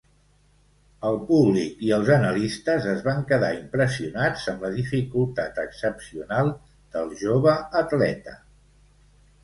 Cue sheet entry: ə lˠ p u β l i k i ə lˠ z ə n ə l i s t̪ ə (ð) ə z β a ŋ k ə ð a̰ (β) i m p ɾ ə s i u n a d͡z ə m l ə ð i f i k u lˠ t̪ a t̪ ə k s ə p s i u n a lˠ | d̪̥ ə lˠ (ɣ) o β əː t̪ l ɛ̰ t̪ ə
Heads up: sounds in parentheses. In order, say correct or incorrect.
incorrect: z, incorrect: none, incorrect: ʒ

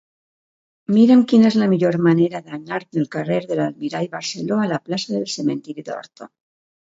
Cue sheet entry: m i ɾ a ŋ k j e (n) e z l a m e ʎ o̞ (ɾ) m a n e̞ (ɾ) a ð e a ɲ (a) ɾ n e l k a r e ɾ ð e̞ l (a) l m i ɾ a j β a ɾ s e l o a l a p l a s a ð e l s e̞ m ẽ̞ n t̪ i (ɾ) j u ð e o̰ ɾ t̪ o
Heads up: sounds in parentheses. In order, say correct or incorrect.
correct, correct, correct, correct, correct, correct

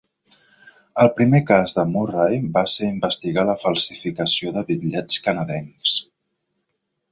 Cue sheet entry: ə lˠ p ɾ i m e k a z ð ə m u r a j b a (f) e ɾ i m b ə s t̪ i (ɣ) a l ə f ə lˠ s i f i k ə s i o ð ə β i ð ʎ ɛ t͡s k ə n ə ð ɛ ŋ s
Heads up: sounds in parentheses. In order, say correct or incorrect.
incorrect: s, correct

